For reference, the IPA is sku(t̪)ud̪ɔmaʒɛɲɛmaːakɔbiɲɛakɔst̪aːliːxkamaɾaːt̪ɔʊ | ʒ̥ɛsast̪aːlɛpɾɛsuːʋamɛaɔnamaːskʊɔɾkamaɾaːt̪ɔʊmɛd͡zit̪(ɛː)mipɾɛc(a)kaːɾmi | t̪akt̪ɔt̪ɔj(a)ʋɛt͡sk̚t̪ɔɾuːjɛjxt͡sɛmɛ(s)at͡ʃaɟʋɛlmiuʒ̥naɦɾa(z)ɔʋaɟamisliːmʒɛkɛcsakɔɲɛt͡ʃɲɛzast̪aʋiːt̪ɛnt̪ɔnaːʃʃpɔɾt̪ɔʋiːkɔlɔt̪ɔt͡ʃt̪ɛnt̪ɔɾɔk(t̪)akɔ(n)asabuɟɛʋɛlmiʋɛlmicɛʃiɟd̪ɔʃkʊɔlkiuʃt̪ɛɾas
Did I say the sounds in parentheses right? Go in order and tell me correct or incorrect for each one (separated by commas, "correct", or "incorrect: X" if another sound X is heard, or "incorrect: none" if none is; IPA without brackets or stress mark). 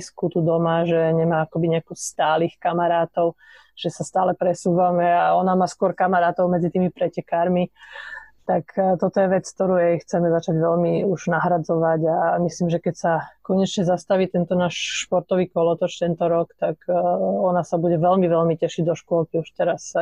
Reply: correct, incorrect: iː, incorrect: ɛ, incorrect: ɛ, incorrect: z, incorrect: d͡z, correct, correct